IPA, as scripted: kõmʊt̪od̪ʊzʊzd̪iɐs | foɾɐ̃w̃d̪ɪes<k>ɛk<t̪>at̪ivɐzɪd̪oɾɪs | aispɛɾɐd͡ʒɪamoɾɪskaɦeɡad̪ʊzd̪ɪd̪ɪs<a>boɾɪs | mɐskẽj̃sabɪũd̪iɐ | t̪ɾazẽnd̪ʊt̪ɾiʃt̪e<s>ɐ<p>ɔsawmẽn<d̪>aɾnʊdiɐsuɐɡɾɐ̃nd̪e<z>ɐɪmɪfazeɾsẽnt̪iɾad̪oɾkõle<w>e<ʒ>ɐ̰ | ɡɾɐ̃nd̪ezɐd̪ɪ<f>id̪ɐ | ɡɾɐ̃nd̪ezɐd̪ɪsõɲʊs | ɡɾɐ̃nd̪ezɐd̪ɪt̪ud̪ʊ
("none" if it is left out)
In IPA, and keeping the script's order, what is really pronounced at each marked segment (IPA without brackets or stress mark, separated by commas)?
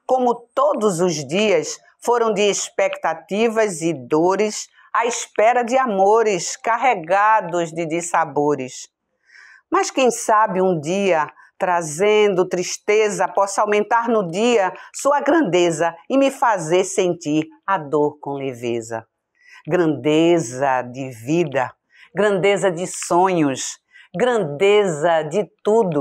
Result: p, t̪, a, z, p, t̪, z, v, z, v